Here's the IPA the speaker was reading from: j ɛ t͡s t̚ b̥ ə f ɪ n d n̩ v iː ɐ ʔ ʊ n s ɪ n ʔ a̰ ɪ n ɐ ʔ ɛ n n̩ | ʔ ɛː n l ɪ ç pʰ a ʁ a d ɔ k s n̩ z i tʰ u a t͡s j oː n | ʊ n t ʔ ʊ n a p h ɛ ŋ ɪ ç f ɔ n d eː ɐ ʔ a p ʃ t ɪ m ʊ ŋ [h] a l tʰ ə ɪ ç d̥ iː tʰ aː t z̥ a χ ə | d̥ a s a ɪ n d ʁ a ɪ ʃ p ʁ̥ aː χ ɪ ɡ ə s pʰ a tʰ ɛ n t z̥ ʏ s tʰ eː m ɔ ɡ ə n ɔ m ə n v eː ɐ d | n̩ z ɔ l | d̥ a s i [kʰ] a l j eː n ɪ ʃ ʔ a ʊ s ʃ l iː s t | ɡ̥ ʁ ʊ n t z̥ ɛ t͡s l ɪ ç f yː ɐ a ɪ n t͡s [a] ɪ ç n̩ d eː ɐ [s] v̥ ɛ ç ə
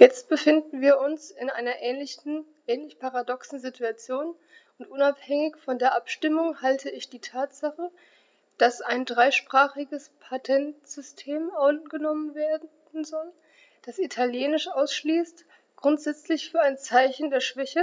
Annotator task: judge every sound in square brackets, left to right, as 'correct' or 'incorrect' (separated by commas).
correct, incorrect, correct, incorrect